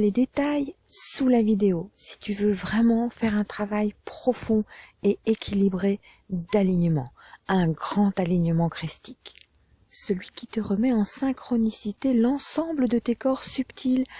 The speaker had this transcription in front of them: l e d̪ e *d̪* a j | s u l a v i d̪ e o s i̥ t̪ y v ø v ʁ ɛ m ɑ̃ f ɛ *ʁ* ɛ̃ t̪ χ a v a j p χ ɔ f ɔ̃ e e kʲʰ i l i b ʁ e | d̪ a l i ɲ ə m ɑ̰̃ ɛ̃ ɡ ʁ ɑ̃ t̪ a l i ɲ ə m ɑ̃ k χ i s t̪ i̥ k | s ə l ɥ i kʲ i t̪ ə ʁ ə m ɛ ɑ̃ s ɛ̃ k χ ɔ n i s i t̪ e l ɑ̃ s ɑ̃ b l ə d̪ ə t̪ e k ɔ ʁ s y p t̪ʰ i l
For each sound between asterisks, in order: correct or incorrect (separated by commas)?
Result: incorrect, correct